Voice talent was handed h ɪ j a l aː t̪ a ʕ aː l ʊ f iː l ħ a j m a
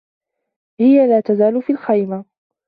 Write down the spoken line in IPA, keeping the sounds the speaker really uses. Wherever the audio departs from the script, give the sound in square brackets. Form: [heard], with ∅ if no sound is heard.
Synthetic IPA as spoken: h ɪ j a l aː t̪ a [z] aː l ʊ f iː l [x] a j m a